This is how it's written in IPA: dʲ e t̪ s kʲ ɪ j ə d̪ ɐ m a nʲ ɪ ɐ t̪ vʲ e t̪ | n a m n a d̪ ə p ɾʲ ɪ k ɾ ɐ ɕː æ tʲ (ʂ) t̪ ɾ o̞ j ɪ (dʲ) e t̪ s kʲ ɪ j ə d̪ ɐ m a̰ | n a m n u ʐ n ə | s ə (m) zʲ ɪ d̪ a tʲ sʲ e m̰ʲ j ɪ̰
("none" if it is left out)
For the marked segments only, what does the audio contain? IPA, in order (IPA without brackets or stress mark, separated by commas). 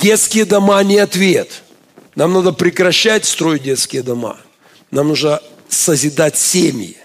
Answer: s, dʲ, none